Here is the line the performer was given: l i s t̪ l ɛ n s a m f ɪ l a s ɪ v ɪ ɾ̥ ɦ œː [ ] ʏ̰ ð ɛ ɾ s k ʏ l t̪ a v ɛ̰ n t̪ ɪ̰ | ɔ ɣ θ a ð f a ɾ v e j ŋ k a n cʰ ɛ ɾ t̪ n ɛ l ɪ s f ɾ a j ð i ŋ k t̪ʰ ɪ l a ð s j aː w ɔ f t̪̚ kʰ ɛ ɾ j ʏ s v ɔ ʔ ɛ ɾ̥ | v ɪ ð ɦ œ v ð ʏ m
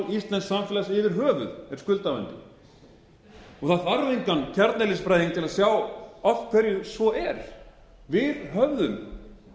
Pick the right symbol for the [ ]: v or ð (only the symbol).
v